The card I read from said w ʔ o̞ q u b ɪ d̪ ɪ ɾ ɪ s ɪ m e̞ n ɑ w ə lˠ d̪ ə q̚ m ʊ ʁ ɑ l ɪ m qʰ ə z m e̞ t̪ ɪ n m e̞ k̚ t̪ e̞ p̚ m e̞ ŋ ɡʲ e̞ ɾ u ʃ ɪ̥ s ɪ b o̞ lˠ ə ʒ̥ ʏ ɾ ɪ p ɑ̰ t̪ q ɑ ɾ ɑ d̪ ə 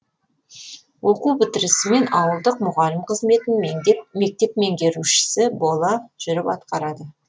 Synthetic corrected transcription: w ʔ o̞ q u b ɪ t̪ ɪ ɾ ɪ s ɪ m e̞ n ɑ w ə lˠ d̪ ə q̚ m ʊ ʁ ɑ l ɪ m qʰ ə z m e̞ t̪ ɪ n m e̞ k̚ t̪ e̞ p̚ m e̞ ŋ ɡʲ e̞ ɾ u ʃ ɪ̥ s ɪ b o̞ lˠ ɑ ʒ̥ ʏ ɾ ɪ p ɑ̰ t̪ q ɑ ɾ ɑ d̪ ə